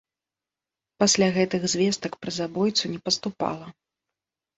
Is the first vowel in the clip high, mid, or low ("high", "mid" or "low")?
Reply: low